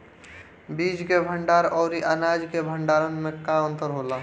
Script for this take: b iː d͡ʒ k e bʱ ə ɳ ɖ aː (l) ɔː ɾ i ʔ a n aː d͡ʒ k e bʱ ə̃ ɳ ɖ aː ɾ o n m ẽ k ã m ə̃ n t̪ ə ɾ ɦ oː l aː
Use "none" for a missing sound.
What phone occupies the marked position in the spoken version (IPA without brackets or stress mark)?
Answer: ɾ